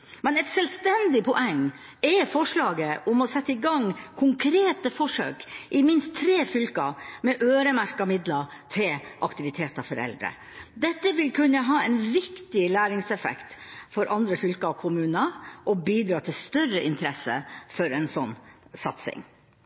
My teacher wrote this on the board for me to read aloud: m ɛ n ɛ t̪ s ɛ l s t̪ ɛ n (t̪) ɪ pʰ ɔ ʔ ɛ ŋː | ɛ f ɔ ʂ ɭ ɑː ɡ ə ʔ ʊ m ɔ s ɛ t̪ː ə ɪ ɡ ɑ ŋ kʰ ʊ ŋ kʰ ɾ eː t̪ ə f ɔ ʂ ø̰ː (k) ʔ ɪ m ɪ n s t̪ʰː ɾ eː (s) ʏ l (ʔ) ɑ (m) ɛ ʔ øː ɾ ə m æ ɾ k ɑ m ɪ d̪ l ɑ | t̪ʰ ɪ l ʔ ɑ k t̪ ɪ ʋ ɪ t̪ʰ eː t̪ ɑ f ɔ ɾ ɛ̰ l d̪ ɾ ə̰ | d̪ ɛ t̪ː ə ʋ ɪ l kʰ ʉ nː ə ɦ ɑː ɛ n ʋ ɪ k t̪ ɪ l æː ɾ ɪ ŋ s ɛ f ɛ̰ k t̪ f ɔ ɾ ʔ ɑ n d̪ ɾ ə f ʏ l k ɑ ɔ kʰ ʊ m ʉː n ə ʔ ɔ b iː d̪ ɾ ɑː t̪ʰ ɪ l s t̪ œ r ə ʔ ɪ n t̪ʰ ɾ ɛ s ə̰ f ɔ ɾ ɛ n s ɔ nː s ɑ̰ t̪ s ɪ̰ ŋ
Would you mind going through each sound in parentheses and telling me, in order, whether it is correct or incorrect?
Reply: incorrect: d̪, correct, incorrect: f, incorrect: k, correct

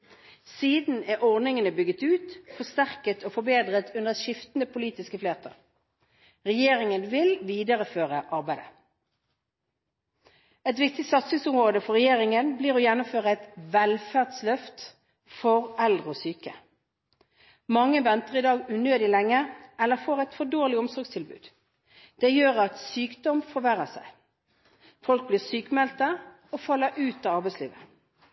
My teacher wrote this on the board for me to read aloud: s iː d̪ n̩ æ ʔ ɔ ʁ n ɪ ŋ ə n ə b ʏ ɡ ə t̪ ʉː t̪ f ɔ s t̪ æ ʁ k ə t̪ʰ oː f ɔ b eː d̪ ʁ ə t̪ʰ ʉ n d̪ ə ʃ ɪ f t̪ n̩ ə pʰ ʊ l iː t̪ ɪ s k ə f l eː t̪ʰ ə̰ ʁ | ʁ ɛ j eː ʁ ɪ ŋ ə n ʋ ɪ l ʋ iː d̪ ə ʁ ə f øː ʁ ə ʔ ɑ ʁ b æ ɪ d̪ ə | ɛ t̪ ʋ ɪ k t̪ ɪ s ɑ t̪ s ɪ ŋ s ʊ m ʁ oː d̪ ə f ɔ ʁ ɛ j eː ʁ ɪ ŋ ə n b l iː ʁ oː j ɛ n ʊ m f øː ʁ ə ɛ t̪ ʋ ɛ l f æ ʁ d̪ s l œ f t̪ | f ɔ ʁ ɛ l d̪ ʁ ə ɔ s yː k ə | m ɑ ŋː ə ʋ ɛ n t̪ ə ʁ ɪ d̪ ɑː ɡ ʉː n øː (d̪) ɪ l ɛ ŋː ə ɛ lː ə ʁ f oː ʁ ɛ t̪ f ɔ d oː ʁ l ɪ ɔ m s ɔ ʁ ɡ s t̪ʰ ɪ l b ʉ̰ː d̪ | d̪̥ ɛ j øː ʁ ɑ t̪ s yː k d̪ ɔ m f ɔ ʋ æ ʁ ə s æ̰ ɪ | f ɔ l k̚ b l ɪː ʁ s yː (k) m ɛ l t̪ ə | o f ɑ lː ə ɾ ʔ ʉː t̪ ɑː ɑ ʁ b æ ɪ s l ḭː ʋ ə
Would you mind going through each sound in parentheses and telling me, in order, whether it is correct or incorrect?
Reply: correct, correct

